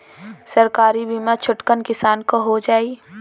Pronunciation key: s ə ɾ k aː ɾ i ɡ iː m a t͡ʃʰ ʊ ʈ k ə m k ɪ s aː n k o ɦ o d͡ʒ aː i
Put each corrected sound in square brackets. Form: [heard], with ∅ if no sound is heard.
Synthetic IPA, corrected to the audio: s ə ɾ k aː ɾ i [b] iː m a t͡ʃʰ ʊ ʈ k ə [n] k ɪ s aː n k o ɦ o d͡ʒ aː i

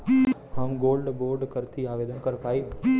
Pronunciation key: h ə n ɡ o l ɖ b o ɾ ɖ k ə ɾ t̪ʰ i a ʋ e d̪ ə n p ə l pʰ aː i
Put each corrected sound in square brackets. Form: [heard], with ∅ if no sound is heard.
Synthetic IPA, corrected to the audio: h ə [m] ɡ o l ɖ b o ɾ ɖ k ə ɾ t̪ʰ i a ʋ e d̪ ə n [k] ə [ɾ] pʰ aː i

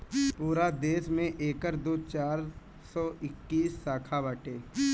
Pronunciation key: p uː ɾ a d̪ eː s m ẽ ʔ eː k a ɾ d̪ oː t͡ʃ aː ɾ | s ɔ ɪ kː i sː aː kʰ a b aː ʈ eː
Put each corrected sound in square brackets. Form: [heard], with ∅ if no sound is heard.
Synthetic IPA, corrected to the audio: p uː ɾ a d̪ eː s m ẽ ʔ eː k [ə] ɾ d̪ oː t͡ʃ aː ɾ | s ɔ ɪ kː [iː] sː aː kʰ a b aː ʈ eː

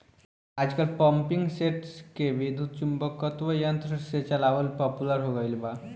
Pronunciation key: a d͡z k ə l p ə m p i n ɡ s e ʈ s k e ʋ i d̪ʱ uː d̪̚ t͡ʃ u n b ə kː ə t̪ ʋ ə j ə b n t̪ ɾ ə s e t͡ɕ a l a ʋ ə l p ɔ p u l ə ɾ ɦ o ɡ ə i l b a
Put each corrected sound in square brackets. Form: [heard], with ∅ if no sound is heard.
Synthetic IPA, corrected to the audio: a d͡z k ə l p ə m p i [ŋ] ɡ s e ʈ s k e ʋ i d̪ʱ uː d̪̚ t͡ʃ u [m] b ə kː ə t̪ ʋ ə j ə [∅] n t̪ ɾ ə s e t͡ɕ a l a ʋ ə l p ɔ p u l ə ɾ ɦ o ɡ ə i l b a

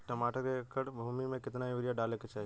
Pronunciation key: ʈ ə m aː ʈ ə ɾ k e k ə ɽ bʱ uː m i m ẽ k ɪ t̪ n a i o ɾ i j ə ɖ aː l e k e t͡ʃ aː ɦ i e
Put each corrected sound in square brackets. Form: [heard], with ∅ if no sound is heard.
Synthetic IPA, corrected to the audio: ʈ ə m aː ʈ ə ɾ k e k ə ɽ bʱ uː m i m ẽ k ɪ t̪ n a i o ɾ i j [a] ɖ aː l e k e t͡ʃ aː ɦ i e

